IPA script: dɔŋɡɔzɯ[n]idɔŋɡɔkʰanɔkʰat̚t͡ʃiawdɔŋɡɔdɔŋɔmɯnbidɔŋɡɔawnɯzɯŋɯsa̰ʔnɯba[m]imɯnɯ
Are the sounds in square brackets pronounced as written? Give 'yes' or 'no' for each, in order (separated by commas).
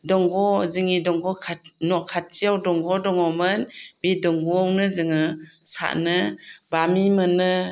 no, yes